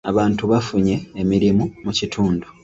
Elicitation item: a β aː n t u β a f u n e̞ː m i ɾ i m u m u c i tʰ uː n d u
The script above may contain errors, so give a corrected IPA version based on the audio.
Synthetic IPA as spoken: a β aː n t u β a f u ɲ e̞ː m i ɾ i m u m u c i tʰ uː n d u